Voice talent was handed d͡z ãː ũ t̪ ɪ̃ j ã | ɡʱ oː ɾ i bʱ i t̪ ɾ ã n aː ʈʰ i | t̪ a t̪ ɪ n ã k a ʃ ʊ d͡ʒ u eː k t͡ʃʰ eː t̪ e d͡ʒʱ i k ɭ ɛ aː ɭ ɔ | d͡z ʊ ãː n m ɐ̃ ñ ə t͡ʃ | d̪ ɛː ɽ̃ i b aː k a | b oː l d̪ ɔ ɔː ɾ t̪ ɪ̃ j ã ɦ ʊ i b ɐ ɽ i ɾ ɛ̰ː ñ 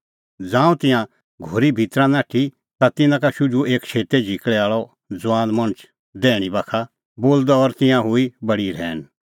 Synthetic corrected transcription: d͡z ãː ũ t̪ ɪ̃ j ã | ɡʱ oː ɾ i bʱ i t̪ ɾ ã n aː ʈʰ i | t̪ a t̪ ɪ n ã k a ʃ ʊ d͡ʒ u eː k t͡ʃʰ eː t̪ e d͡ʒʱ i k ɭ ɛ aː ɭ ɔ | d͡z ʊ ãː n m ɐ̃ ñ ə t͡ʃ | d̪ ɛː ɽ̃ i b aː kʰ a | b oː l d̪ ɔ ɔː ɾ t̪ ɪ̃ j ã ɦ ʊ i b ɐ ɽ i ɾ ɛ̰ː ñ

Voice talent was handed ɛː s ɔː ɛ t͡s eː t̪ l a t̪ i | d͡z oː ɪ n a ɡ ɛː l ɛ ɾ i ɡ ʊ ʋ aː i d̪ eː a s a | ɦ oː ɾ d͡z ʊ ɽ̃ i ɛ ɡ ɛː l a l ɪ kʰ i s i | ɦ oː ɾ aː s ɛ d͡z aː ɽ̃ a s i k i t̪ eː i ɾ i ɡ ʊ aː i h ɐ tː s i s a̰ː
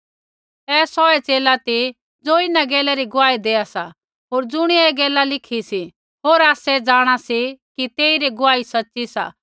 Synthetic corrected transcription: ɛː s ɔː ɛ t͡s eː l a t̪ i | d͡z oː ɪ n a ɡ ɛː l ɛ ɾ i ɡ ʊ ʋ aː i d̪ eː a s a | ɦ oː ɾ d͡z ʊ ɽ̃ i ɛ ɡ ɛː l a l ɪ kʰ i s i | ɦ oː ɾ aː s ɛ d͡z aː ɽ̃ a s i k i t̪ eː i ɾ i ɡ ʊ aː i s ɐ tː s i s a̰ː

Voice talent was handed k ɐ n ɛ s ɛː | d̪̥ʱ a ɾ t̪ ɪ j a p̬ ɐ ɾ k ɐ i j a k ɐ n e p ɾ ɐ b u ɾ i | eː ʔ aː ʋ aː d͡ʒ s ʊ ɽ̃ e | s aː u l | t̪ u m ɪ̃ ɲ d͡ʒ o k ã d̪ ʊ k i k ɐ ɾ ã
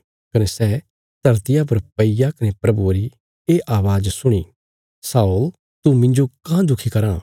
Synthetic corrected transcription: k ɐ n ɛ s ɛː | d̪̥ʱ ɐ ɾ t̪ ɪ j a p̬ ɐ ɾ p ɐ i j a k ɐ n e p ɾ ɐ b u ɾ i | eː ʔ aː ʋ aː d͡ʒ s ʊ ɽ̃ i | s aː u l | t̪ u m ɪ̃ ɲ d͡ʒ o k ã d̪ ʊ kʰ i k ɐ ɾ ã

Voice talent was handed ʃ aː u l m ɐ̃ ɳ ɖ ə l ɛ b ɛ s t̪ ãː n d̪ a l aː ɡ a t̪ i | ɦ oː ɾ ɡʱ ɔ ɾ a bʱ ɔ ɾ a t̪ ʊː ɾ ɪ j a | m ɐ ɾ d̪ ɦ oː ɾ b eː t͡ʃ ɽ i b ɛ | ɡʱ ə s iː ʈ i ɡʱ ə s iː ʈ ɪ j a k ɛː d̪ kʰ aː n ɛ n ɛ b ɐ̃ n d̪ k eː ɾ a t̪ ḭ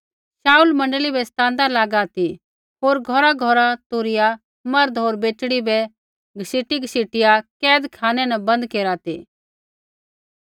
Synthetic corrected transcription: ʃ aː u l m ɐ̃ ɳ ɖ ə l i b ɛ s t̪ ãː n d̪ a l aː ɡ a t̪ i | ɦ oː ɾ ɡʱ ɔ ɾ a ɡʱ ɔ ɾ a t̪ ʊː ɾ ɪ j a | m ɐ ɾ d̪ ɦ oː ɾ b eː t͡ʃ ɽ i b ɛ | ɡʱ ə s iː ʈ i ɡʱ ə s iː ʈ ɪ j a k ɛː d̪ kʰ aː n ɛ n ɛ b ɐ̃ n d̪ k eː ɾ a t̪ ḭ

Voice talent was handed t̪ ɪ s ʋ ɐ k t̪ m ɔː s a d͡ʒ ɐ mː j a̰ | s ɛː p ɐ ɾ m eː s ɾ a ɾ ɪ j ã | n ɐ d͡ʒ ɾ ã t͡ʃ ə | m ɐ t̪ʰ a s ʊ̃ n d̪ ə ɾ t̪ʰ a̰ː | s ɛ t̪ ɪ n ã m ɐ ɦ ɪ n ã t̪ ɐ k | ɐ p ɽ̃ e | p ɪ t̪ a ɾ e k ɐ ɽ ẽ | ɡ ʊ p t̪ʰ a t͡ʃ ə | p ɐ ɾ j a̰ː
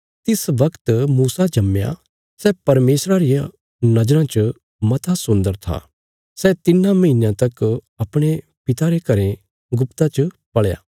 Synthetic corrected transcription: t̪ ɪ s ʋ ɐ k t̪ m uː s a d͡ʒ ɐ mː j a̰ | s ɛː p ɐ ɾ m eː s ɾ a ɾ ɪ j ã | n ɐ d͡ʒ ɾ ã t͡ʃ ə | m ɐ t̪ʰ a s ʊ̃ n d̪ ə ɾ t̪ʰ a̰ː | s ɛ t̪ ɪ n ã m ɐ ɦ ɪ n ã t̪ ɐ k | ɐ p ɽ̃ e | p ɪ t̪ a ɾ e k ɐ ɾ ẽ | ɡ ʊ p t̪ a t͡ʃ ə | p ɐ ɭ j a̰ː

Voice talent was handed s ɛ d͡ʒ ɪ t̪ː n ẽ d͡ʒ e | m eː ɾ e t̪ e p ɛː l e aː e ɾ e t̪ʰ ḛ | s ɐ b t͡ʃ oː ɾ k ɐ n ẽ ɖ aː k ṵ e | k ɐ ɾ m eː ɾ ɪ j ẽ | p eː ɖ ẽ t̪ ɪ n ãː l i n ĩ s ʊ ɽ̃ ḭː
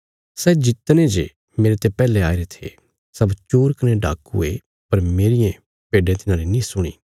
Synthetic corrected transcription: s ɛ d͡ʒ ɪ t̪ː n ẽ d͡ʒ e | m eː ɾ e t̪ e p ɛː l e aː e ɾ e t̪ʰ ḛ | s ɐ b t͡ʃ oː ɾ k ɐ n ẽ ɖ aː k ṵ e | p ɐ ɾ m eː ɾ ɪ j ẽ | p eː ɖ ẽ t̪ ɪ n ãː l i n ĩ s ʊ ɽ̃ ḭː

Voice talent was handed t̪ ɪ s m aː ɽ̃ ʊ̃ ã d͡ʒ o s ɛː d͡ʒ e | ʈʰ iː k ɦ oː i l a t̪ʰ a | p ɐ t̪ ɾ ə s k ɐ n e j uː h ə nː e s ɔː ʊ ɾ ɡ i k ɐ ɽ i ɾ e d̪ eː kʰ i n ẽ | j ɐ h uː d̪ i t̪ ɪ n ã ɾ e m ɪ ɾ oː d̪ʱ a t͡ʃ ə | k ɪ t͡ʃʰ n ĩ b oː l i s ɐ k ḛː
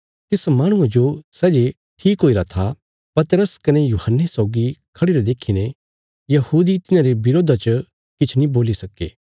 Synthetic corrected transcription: t̪ ɪ s m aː ɽ̃ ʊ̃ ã d͡ʒ o s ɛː d͡ʒ e | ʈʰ iː k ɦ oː i ɾ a t̪ʰ a | p ɐ t̪ ɾ ə s k ɐ n e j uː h ə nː e s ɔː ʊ ɡ i kʰ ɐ ɽ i ɾ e d̪ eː kʰ i n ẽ | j ɐ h uː d̪ i t̪ ɪ n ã ɾ e b ɪ ɾ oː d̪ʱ a t͡ʃ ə | k ɪ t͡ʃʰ n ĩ b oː l i s ɐ k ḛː

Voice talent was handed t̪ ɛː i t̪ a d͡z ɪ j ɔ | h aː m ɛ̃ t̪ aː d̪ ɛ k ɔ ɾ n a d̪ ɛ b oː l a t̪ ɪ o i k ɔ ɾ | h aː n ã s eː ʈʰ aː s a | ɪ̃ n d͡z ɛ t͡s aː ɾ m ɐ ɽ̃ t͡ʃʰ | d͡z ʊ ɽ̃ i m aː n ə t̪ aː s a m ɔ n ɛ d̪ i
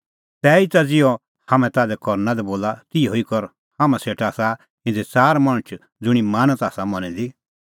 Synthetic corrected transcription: t̪ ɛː i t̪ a d͡z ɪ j ɔ | h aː m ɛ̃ t̪ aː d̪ ɛ k ɔ ɾ n a d̪ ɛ b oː l a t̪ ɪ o i k ɔ ɾ | h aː m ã s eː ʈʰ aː s a | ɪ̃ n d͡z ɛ t͡s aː ɾ m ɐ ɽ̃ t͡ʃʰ | d͡z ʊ ɽ̃ i m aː n ə t̪ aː s a m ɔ n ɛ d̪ i

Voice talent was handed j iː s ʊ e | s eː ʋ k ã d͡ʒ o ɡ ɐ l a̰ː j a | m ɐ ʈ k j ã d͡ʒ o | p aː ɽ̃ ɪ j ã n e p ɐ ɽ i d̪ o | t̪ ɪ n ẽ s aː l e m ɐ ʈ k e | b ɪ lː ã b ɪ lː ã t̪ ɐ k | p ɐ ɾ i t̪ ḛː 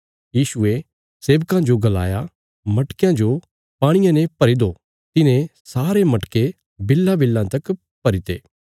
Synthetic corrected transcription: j iː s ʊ e | s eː ʋ k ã d͡ʒ o ɡ ɐ l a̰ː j a | m ɐ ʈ k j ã d͡ʒ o | p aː ɽ̃ ɪ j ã n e p ɐ ɾ i d̪ o | t̪ ɪ n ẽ s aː ɾ e m ɐ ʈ k e | b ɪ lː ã b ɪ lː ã t̪ ɐ k | p ɐ ɾ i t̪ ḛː

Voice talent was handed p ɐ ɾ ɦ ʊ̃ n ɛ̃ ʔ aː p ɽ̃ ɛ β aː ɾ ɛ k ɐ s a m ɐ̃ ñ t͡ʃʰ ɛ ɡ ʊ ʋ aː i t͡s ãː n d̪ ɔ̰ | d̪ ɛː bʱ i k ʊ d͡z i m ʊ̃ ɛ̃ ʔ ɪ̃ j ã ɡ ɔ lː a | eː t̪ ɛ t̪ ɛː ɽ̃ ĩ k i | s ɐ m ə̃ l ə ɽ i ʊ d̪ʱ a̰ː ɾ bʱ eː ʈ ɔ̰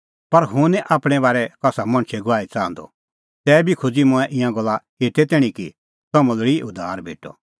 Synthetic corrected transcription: p ɐ ɾ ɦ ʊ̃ n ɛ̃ ʔ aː p ɽ̃ ɛ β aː ɾ ɛ k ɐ s a m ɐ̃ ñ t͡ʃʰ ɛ ɡ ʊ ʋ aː i t͡s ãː n d̪ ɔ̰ | t̪ ɛː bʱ i kʰ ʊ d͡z i m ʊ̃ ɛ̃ ʔ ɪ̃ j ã ɡ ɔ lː a | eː t̪ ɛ t̪ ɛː ɽ̃ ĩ k i | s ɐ m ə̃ l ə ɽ i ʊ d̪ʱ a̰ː ɾ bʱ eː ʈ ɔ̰

